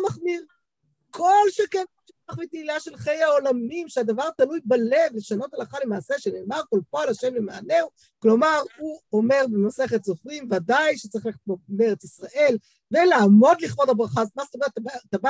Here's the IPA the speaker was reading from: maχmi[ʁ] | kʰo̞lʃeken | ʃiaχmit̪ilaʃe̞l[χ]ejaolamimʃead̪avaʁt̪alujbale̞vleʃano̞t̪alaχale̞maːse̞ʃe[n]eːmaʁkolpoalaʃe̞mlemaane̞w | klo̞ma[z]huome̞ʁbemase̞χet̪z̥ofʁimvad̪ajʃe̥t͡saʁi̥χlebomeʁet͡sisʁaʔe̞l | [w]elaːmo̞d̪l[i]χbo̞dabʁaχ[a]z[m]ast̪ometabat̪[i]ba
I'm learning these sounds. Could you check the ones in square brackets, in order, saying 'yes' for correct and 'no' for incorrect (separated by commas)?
yes, yes, yes, no, no, yes, yes, yes, no